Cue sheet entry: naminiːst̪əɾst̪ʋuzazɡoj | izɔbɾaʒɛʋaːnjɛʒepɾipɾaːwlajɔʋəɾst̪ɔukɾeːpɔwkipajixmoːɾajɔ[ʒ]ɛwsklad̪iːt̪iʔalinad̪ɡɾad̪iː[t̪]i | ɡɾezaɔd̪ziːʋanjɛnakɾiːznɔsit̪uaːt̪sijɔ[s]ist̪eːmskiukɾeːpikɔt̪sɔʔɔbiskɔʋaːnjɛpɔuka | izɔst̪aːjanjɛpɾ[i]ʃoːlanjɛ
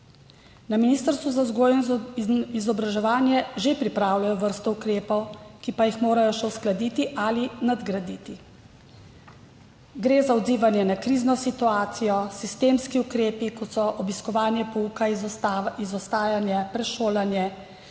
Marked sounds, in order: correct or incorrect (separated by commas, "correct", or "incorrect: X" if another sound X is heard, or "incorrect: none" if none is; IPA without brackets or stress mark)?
incorrect: ʃ, correct, correct, incorrect: ɛ